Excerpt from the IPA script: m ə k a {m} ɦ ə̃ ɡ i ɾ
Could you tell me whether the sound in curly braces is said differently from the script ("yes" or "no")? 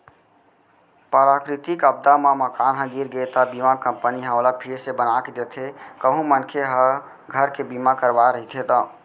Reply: yes